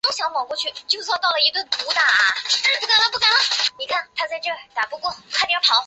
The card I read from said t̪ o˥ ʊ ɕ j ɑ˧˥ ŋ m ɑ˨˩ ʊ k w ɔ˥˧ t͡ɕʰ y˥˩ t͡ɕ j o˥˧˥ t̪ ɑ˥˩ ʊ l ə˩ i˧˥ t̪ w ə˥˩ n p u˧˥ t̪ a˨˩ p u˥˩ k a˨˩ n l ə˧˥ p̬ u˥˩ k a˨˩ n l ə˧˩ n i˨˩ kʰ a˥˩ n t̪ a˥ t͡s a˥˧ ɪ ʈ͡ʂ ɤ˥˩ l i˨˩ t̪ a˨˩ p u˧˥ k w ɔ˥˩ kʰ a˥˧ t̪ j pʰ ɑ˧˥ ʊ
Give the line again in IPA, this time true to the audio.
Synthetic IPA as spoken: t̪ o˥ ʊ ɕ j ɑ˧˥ ŋ m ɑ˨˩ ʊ k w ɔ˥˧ t͡ɕʰ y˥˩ t͡ɕ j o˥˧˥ t̪ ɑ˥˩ ʊ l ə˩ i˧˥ t̪ w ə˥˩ n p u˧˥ t̪ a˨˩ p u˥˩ k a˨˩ n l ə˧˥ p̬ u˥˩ k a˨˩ n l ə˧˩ n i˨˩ kʰ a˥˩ n t̪ʰ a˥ t͡s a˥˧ ɪ ʈ͡ʂ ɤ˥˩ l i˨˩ t̪ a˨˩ p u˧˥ k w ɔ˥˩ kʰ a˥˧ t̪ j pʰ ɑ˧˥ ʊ